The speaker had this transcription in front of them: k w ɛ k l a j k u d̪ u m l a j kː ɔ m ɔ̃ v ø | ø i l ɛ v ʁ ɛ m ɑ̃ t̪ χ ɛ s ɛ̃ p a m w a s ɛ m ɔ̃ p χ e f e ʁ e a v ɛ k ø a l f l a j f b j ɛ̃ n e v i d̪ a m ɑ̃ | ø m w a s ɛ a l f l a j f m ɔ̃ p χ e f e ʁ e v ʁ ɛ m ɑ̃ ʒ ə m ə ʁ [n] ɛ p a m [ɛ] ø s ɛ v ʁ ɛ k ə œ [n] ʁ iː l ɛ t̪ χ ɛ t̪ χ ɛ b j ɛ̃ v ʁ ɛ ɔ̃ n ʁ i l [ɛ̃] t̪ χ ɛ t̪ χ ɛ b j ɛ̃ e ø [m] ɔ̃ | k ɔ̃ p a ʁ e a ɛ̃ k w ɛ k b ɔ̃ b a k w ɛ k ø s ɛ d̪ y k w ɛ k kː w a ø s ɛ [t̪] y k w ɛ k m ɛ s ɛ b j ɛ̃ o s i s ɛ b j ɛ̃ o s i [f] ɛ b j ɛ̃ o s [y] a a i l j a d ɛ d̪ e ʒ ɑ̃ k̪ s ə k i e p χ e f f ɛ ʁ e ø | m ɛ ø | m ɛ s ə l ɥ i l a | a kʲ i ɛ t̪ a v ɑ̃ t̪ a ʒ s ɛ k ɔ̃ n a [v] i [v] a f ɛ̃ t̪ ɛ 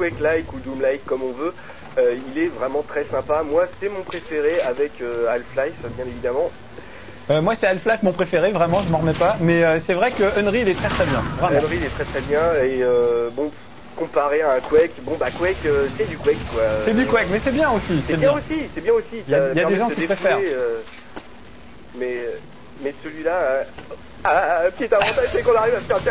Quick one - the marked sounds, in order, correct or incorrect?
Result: incorrect: m, correct, correct, incorrect: ɛ, incorrect: b, incorrect: d̪, incorrect: s, incorrect: i, incorrect: ʁ, correct

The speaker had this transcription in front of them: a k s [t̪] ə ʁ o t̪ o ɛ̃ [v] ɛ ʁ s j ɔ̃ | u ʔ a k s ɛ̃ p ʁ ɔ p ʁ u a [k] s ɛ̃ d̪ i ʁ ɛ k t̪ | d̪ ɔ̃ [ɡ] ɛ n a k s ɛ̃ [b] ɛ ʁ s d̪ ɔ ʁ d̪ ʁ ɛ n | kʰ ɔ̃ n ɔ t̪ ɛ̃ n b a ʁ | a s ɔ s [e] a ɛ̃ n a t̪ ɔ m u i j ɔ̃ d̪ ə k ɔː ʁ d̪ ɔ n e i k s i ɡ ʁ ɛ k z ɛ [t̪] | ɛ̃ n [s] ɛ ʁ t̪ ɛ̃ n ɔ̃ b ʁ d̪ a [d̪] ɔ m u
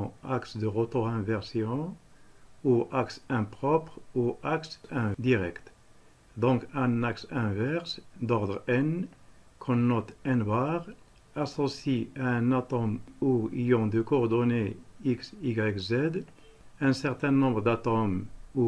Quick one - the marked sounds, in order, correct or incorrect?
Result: incorrect: d̪, correct, correct, incorrect: k, incorrect: v, incorrect: i, incorrect: d̪, correct, incorrect: t̪

